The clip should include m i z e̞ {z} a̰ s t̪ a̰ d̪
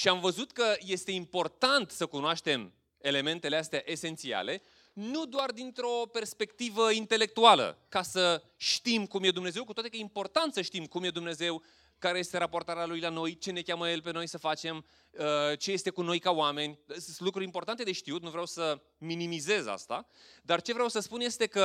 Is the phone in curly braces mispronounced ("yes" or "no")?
no